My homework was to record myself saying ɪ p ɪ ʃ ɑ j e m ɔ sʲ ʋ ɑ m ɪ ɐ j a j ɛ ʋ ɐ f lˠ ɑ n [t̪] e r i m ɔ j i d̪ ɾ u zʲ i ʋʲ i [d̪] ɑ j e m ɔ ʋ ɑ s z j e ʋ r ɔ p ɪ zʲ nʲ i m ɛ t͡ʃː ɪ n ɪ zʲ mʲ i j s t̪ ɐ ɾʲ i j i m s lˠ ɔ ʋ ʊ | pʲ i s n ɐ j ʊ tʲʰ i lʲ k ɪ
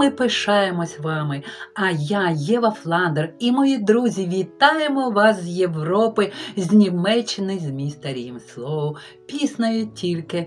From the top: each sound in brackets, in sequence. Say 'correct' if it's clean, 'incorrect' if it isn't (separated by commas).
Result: incorrect, incorrect